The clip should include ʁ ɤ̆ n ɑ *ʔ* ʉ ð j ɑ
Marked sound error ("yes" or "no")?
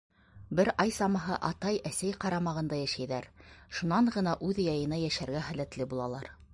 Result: no